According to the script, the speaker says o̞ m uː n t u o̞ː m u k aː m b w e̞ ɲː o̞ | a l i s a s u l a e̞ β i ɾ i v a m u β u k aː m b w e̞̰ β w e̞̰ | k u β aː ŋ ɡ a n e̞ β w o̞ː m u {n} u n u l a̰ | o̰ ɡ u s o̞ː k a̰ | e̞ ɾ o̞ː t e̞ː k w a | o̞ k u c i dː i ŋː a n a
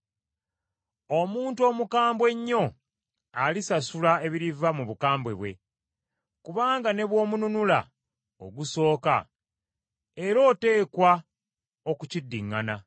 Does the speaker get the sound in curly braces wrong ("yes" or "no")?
no